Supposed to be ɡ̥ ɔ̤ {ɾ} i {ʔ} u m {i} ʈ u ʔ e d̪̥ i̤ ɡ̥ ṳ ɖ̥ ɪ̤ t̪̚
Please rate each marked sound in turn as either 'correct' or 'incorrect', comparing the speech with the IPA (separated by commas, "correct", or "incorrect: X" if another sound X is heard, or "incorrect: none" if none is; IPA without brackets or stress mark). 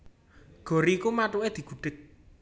correct, incorrect: k, incorrect: a